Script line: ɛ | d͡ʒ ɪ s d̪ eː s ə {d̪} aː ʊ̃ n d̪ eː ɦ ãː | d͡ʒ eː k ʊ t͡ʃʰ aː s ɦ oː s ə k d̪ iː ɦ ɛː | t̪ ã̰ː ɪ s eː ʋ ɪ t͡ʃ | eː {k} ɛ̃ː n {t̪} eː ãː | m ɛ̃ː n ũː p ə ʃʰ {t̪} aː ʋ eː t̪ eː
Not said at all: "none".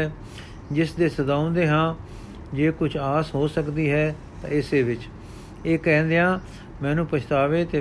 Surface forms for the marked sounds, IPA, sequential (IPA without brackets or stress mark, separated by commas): d̪, k, d̪, t̪